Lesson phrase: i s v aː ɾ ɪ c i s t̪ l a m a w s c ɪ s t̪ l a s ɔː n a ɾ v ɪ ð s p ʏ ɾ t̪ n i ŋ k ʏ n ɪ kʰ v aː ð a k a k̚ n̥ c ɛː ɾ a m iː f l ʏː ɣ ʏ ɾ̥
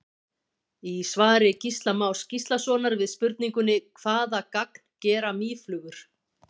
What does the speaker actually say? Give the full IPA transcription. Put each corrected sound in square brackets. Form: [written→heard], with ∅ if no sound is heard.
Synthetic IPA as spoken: i s v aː ɾ ɪ c i s t̪ l a m a w s c [ɪ→i] s t̪ l a s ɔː n a ɾ v ɪ ð s p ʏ ɾ t̪ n i ŋ k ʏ n ɪ kʰ v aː ð a k a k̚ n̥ c ɛː ɾ a m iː f l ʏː ɣ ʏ ɾ̥